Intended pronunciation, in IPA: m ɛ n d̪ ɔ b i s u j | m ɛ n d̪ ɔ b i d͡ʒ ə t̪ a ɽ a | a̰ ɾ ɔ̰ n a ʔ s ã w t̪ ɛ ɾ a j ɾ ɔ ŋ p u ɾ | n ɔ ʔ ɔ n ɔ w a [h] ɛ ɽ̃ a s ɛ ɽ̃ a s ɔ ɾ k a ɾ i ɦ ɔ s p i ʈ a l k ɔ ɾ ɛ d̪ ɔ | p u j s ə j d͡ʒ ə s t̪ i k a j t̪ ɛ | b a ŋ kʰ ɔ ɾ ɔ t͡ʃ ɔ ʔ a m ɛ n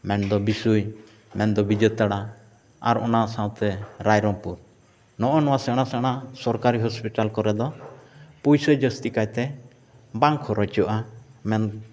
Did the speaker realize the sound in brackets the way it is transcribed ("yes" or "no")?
no